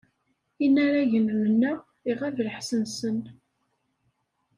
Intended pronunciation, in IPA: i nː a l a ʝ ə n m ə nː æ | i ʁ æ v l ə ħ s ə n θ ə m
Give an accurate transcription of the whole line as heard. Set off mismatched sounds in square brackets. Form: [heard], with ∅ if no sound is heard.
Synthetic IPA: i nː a [ɾ] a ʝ ə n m ə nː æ | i ʁ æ v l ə ħ s ə n [s] ə [n]

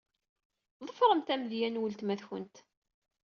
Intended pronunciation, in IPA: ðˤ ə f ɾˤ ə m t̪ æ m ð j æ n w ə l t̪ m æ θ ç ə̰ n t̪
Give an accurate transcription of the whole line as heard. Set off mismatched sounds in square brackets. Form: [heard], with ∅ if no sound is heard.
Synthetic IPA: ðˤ ə f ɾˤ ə m t̪ æ m ð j æ n w ə l t̪ m æ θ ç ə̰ n t̪

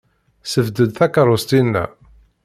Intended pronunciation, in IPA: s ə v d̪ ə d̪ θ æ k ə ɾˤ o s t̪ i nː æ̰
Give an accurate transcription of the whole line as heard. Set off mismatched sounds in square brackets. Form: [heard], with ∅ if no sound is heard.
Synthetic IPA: s ə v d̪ ə d̪ θ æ k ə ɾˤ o s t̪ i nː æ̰

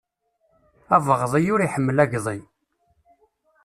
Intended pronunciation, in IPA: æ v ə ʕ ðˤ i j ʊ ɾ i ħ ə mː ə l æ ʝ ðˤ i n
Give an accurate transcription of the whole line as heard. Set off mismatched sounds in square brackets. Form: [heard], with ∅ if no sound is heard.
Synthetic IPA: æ v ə [ʁ] ðˤ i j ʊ ɾ i ħ ə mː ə l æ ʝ ðˤ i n

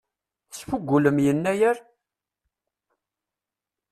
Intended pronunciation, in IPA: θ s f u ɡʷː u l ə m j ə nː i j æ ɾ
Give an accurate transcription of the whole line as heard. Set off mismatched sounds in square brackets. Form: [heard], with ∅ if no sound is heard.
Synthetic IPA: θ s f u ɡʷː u l ə m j ə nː [æ] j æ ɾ

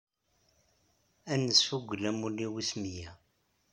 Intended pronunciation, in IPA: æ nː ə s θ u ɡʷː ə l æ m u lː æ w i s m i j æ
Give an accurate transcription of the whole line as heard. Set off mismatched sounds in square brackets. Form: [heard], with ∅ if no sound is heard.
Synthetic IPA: æ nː ə s [f] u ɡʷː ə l æ m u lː [i] w i s m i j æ

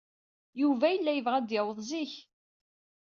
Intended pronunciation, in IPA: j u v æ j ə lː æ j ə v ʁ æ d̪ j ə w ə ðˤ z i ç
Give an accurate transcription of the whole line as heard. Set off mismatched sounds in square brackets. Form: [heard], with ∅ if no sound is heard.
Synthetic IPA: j u v æ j ə lː æ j ə v ʁ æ d̪ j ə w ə ðˤ z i ç

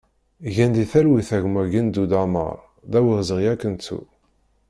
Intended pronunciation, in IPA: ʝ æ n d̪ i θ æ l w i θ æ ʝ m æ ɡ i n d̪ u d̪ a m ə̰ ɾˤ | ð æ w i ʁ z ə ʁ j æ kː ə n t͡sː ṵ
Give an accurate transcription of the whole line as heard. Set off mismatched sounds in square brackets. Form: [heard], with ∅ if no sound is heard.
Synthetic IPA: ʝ æ n d̪ i θ æ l w i θ æ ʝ m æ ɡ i n d̪ u d̪ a m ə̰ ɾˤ | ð æ w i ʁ z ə ʁ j æ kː ə n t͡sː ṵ

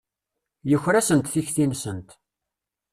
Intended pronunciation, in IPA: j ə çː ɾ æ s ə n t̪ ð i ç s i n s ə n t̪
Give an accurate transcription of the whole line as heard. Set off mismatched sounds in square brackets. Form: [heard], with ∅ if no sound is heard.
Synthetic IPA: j ə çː ɾ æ s ə n t̪ [θ] i ç [θ] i n s ə n t̪

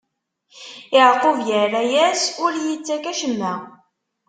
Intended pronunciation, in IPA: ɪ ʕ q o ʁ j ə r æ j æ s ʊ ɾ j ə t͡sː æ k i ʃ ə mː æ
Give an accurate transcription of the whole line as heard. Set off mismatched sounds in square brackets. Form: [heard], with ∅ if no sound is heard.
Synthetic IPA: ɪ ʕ q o [v] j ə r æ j æ s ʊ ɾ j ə t͡sː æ k [æ] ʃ ə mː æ

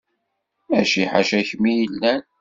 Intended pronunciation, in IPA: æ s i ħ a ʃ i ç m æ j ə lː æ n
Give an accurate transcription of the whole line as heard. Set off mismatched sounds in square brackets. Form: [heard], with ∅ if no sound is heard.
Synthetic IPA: æ [ʃ] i ħ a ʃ [æ] ç m [i] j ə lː æ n

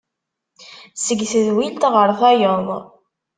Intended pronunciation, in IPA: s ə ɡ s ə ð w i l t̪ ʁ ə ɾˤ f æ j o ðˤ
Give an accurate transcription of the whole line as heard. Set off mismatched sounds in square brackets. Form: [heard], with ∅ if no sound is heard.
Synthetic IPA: s ə ɡ [θ] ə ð w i l t̪ ʁ ə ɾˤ [θ] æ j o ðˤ

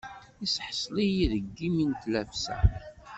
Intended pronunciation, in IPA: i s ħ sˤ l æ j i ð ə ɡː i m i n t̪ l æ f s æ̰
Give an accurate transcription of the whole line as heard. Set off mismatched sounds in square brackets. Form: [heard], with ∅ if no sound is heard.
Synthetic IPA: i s ħ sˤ l [i] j i ð ə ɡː i m i n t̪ l æ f s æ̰

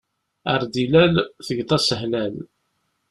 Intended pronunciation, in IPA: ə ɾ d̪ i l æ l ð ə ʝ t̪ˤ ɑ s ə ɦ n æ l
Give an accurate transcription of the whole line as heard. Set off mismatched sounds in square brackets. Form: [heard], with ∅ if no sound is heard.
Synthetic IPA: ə ɾ d̪ i l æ l [θ] ə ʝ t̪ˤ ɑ s ə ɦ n æ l

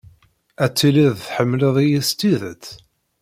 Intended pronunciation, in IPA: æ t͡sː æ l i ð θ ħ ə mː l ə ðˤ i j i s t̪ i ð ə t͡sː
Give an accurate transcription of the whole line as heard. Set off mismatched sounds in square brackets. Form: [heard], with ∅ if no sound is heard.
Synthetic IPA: æ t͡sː [i] l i ð θ ħ ə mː l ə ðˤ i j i s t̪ i ð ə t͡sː

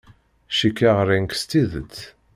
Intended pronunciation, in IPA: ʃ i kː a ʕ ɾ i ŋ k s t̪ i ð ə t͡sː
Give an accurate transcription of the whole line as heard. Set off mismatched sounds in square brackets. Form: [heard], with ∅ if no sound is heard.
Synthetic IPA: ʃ i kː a [ʁ] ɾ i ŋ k s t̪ i ð ə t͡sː

